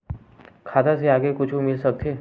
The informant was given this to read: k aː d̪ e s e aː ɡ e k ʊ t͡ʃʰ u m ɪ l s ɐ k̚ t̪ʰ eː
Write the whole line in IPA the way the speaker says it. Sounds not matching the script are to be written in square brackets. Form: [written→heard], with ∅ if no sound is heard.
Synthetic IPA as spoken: [k→kʰ] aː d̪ [e→a] s e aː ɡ e k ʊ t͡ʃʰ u m ɪ l s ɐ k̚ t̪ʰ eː